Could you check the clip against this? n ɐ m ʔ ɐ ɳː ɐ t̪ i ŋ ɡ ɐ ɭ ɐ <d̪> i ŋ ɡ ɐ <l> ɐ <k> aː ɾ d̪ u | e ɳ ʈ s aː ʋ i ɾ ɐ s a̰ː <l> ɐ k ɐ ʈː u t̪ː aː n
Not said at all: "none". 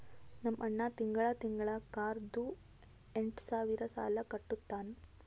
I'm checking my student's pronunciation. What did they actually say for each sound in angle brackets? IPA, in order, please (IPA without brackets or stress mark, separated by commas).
t̪, ɭ, k, l